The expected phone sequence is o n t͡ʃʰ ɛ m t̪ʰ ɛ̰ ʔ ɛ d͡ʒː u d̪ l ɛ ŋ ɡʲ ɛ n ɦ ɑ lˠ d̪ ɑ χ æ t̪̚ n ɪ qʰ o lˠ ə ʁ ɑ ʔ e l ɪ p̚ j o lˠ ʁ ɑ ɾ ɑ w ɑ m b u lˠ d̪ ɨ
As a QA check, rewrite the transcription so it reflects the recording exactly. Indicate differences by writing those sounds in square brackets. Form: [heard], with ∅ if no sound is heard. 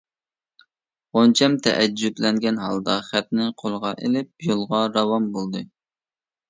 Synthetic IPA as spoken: o n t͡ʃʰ ɛ m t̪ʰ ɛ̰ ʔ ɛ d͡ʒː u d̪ l ɛ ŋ ɡʲ ɛ n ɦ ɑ lˠ d̪ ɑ χ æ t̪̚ n ɪ qʰ o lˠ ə ʁ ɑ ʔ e l ɪ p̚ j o lˠ ʁ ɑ ɾ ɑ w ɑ m b [o] lˠ d̪ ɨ